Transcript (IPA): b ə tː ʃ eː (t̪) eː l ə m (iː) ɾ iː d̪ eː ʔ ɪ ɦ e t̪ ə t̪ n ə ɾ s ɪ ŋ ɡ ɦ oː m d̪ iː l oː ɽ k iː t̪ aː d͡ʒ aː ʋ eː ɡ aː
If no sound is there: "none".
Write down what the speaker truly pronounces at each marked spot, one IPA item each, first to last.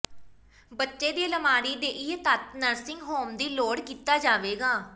d̪, aː

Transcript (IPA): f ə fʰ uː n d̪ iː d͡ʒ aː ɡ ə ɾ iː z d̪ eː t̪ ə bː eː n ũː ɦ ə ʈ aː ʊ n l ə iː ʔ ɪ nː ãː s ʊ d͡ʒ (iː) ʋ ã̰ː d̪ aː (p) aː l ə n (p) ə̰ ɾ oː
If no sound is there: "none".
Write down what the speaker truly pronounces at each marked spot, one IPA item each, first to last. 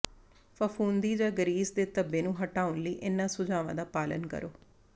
aː, p, k

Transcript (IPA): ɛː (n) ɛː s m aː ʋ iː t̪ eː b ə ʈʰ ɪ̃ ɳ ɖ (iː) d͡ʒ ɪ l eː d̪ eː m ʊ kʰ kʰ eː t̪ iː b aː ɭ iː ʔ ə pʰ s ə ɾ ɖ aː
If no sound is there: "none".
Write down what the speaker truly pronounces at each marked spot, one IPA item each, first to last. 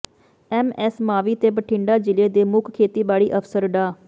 m, aː

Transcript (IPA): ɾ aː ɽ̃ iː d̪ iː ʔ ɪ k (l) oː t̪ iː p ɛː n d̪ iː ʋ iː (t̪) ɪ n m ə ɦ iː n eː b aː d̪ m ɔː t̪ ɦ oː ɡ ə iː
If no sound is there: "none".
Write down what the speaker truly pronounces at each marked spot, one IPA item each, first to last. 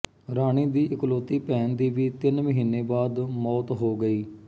l, t̪

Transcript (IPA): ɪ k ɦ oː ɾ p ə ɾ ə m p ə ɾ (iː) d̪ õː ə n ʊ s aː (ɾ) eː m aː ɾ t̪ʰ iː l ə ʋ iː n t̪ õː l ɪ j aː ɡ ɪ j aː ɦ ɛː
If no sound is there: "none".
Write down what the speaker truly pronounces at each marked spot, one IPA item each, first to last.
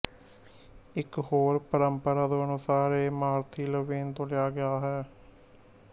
aː, ɾ

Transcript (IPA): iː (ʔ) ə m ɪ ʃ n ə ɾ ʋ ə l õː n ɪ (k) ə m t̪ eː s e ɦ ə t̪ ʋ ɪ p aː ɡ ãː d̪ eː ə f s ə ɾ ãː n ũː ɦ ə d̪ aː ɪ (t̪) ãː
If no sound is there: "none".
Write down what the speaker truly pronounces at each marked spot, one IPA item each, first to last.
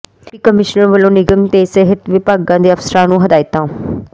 k, ɡ, t̪

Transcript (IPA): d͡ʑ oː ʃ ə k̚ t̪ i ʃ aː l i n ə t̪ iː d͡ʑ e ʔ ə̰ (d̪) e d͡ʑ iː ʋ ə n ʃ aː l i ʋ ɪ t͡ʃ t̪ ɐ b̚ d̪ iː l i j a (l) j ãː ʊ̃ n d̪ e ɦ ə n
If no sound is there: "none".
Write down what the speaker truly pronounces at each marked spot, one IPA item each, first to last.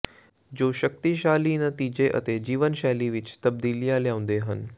t̪, l

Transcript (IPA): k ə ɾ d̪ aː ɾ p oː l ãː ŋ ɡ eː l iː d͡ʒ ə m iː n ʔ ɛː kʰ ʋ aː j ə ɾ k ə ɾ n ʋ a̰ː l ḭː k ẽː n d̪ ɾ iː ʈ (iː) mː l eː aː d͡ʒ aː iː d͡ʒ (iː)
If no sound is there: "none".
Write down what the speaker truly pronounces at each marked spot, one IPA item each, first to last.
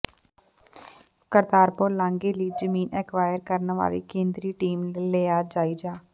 iː, aː

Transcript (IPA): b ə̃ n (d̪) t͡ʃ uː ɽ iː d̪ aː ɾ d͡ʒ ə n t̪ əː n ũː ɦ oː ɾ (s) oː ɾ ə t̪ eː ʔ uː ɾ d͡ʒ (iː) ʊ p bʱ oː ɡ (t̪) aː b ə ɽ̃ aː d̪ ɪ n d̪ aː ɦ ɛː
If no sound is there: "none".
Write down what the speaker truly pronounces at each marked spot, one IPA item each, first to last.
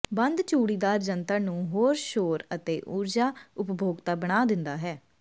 d̪, ʃ, aː, t̪

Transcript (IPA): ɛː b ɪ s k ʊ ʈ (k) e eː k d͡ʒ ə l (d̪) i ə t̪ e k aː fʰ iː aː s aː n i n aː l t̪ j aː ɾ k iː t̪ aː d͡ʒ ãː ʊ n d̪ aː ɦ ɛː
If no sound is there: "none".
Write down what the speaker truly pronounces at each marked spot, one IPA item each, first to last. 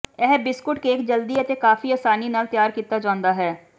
k, d̪

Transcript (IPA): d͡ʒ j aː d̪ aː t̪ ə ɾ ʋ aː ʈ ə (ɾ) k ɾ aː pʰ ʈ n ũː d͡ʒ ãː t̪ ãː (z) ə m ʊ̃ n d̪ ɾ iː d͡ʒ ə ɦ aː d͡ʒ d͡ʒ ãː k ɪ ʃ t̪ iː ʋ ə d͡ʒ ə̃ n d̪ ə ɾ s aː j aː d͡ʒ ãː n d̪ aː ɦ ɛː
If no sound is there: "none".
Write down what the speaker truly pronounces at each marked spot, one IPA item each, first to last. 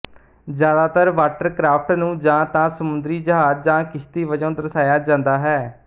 ɾ, s

